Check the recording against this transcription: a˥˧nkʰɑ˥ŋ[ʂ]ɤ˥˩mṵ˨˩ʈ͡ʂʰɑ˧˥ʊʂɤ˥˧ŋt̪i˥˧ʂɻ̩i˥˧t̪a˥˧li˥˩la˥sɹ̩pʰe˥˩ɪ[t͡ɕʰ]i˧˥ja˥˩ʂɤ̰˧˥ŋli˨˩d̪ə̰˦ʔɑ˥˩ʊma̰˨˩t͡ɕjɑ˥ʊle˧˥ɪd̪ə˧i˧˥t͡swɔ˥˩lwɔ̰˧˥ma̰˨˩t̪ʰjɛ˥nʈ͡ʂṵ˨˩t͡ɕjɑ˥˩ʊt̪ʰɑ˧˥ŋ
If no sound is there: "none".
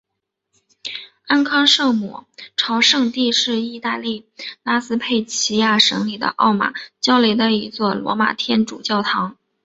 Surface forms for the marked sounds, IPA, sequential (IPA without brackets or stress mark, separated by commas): ʂ, t͡ɕʰ